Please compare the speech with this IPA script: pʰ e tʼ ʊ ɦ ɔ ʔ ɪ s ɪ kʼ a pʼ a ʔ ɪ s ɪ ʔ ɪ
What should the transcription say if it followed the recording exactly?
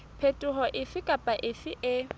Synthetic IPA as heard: pʰ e tʼ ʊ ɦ ɔ ʔ ɪ f ɪ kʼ a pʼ a ʔ ɪ f ɪ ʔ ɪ